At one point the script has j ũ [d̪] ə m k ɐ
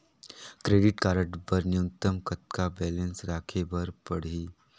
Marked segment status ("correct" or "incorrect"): incorrect